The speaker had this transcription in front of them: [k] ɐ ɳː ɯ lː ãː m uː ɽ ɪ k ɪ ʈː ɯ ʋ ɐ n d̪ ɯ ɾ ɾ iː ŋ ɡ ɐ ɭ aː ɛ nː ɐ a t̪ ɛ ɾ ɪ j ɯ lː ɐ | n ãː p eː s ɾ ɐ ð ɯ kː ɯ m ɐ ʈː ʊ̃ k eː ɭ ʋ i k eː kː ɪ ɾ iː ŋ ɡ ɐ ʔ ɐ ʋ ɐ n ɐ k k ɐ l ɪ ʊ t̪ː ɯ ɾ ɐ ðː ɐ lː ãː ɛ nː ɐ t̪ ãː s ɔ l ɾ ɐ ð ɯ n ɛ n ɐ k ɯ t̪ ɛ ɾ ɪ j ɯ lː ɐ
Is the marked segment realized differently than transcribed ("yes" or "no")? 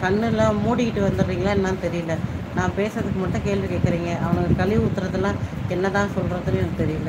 no